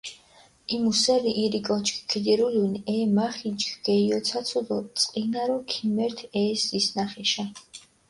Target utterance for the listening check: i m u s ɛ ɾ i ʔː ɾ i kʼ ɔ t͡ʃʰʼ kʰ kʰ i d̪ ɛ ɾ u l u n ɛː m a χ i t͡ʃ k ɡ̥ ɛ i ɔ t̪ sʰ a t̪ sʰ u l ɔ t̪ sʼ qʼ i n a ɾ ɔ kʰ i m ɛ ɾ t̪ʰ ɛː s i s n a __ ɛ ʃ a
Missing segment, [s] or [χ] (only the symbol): χ